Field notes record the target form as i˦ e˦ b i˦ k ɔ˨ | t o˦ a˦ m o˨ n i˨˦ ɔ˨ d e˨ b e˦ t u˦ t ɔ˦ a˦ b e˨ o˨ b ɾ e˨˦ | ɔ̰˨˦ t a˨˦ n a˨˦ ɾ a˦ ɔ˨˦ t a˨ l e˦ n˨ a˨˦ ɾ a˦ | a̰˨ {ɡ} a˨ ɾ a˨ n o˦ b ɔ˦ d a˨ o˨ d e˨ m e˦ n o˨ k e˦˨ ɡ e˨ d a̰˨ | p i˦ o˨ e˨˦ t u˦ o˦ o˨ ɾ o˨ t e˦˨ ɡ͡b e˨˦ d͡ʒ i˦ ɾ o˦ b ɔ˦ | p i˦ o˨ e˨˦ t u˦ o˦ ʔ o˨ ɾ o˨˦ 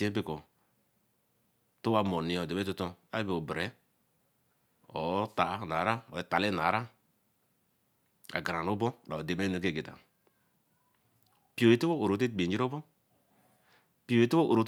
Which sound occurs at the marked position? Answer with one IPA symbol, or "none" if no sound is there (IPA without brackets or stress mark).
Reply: ɡ